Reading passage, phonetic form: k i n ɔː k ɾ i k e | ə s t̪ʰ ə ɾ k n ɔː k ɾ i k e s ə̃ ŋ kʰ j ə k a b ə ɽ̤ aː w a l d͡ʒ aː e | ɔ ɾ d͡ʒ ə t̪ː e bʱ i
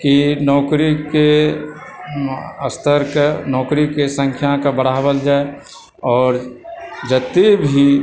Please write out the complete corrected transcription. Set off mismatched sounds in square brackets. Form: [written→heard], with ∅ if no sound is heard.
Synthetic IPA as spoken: k i n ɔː k ɾ i k e | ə s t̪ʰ ə ɾ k n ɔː k ɾ i k e s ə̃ ŋ kʰ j [ə→a] k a b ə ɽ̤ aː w [a→ə] l d͡ʒ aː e | [ɔ→ɔː] ɾ d͡ʒ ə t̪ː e bʱ i